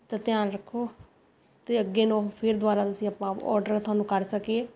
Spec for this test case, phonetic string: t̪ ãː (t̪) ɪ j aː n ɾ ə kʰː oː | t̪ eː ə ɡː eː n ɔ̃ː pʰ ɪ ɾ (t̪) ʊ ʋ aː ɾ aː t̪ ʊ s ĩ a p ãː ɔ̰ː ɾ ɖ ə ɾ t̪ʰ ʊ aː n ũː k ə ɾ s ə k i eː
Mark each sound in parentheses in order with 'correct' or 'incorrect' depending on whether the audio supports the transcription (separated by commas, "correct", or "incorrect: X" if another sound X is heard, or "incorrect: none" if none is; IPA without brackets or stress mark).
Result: correct, incorrect: d̪